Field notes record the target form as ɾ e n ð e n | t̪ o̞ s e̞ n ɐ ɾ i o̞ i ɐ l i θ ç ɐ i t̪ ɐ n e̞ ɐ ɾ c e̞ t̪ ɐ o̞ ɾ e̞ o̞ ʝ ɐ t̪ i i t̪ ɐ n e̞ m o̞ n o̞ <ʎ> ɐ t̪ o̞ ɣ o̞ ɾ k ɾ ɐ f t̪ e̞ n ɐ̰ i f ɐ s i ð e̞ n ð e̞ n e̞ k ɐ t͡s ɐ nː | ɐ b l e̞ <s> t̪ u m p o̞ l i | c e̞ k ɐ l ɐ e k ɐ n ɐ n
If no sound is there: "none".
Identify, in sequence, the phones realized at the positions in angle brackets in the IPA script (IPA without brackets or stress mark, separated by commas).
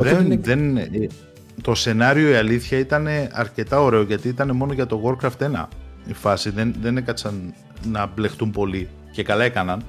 ʝ, x